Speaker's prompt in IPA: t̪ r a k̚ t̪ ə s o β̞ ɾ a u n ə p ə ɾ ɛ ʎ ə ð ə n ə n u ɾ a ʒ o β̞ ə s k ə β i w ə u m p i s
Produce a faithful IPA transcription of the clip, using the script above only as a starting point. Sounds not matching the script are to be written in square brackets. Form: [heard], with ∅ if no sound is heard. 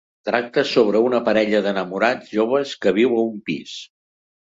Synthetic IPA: t̪ [ɾ] a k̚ t̪ ə s o β̞ ɾ [ə] u n ə p ə ɾ ɛ ʎ ə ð ə n ə [m] u ɾ a ʒ o β̞ ə s k ə β i w ə u m p i s